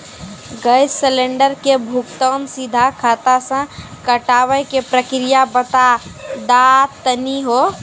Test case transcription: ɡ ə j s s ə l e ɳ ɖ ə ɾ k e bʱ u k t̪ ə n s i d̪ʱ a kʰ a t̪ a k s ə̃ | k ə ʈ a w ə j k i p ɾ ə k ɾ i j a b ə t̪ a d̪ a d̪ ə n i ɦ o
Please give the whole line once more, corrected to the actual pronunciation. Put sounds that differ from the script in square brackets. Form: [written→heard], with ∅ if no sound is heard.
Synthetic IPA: ɡ ə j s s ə l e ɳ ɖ ə ɾ k e bʱ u k t̪ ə n s i d̪ʱ a kʰ a t̪ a [k→∅] s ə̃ | k ə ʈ a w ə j k [i→e] p ɾ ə k ɾ i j a b ə t̪ a d̪ a [d̪→t̪] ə n i ɦ o